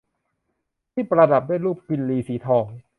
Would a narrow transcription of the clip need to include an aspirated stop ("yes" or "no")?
yes